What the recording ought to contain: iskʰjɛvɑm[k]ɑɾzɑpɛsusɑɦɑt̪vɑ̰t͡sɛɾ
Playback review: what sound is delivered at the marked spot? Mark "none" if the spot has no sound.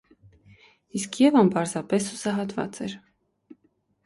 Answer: p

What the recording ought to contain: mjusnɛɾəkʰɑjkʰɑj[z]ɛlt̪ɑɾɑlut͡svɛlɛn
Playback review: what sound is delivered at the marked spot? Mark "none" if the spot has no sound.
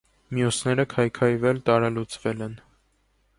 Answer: v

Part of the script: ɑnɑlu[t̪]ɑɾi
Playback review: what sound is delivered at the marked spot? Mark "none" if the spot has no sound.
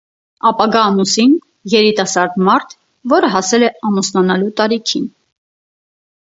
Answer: t̪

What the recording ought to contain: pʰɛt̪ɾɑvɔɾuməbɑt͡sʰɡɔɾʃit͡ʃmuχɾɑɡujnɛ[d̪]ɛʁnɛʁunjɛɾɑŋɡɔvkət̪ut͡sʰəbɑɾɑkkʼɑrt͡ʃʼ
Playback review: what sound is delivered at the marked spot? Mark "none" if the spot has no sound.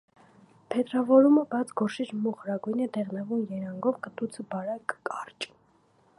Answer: d̪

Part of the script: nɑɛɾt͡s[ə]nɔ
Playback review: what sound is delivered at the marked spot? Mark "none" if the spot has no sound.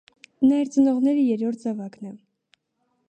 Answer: ə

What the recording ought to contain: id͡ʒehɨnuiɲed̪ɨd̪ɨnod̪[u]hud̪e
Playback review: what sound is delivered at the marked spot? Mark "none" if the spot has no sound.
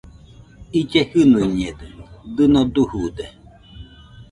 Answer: u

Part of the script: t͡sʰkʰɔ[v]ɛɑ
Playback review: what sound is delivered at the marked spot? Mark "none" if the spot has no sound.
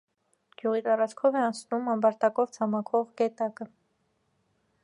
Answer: v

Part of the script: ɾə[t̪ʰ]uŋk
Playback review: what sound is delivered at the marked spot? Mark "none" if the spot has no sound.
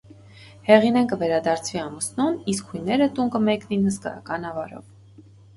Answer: t̪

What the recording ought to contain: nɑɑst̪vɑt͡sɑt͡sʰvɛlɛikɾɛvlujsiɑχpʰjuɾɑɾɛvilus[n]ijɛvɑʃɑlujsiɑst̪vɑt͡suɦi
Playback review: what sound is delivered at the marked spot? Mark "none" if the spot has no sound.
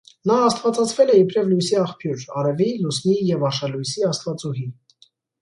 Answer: n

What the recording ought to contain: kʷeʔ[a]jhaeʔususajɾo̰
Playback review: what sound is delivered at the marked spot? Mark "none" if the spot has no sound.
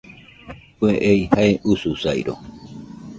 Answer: e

